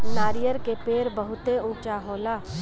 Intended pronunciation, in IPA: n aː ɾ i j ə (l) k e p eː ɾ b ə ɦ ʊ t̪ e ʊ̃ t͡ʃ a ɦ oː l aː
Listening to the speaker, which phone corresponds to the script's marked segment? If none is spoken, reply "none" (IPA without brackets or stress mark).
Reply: ɾ